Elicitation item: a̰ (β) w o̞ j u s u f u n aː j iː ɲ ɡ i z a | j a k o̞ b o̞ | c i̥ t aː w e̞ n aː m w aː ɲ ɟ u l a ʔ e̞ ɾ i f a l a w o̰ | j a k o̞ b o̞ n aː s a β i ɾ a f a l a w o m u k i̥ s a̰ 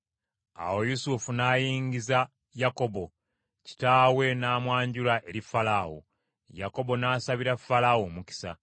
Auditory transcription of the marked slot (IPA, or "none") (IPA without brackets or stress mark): none